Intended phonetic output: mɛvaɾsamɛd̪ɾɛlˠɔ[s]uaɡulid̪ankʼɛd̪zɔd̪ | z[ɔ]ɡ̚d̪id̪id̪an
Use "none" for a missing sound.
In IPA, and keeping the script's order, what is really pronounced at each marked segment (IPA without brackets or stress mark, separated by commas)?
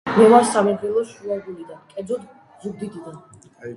ʃ, u